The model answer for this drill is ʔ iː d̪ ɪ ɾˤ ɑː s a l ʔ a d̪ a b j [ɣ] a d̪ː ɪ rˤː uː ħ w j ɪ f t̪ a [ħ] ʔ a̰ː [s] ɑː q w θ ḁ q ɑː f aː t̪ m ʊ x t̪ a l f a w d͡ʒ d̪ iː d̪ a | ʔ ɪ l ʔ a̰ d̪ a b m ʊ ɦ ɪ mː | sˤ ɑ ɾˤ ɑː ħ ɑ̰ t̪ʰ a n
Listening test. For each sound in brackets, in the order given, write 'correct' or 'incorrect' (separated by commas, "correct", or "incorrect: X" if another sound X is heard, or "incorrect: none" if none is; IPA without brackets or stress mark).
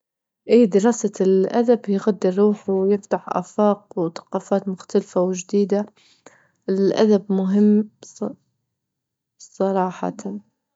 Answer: correct, correct, incorrect: f